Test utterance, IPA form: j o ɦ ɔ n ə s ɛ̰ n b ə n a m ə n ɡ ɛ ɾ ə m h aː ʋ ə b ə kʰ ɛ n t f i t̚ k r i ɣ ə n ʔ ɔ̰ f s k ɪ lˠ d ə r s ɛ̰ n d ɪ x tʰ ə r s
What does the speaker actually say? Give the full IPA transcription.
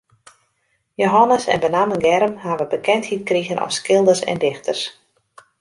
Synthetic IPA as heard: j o ɦ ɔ n ə s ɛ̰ n b ə n a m ə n ɡ ɛ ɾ ə m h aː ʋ ə b ə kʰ ɛ n t h i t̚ k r i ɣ ə n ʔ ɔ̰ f s k ɪ lˠ d ə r s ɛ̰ n d ɪ x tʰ ə r s